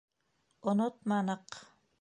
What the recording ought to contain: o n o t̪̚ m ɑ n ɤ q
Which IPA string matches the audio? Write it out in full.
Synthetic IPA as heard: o n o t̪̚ m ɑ n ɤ q